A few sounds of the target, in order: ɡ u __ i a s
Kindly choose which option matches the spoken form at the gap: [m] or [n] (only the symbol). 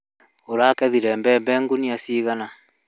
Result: n